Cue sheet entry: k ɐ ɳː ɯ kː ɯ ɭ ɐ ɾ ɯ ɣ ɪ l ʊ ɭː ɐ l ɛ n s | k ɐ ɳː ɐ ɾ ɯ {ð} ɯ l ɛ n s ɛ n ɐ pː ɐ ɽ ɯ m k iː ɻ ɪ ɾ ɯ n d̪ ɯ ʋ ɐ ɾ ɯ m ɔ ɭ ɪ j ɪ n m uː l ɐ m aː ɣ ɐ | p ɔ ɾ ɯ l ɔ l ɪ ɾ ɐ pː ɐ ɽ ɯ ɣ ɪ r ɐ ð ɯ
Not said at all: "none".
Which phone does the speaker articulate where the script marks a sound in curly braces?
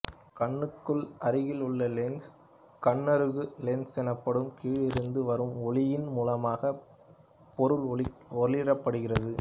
ɣ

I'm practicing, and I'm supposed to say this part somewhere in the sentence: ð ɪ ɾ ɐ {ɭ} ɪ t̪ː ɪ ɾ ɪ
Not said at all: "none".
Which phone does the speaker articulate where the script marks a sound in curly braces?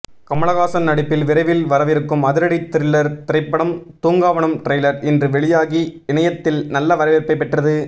ɽ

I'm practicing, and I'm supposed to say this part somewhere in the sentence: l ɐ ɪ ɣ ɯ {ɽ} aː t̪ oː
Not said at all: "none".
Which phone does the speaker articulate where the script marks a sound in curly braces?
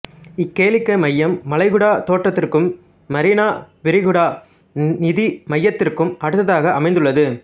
ɽ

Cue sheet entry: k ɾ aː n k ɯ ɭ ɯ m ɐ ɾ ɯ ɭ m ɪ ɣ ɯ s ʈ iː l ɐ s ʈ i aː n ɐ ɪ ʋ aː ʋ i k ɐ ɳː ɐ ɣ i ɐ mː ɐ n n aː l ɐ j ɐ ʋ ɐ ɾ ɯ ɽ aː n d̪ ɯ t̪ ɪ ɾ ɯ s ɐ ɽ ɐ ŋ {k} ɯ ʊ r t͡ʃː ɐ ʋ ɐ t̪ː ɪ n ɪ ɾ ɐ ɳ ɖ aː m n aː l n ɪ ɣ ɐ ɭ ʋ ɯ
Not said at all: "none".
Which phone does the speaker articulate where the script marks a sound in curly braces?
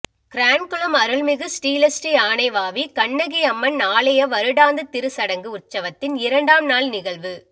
ɡ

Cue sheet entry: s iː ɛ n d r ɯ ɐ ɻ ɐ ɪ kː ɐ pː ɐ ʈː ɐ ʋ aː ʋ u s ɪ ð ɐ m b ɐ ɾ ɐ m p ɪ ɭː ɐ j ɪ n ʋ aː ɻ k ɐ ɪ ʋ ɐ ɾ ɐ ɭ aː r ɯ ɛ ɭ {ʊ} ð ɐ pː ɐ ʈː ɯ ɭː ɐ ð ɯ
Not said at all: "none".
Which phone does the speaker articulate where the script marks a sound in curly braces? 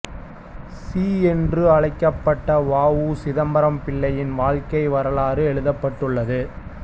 ɯ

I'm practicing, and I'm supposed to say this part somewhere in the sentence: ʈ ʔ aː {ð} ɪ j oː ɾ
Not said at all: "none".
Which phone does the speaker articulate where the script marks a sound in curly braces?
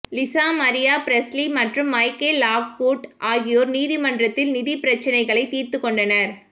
ɣ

